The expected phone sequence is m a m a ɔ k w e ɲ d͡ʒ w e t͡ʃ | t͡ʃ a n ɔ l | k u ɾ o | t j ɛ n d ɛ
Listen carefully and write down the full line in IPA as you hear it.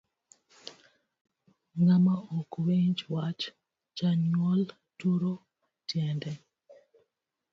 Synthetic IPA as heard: ŋ a m a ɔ k w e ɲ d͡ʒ w a t͡ʃ | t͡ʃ a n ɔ l | t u ɾ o | t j ɛ n d ɛ